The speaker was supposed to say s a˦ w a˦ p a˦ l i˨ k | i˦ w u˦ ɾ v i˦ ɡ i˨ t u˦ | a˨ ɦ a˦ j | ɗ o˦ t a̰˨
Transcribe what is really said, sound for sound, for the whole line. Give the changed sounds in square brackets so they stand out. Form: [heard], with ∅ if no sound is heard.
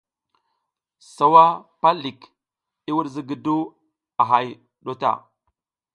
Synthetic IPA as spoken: s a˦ w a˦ p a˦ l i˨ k | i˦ w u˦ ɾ [z] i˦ ɡ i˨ [d] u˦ | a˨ ɦ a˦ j | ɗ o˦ t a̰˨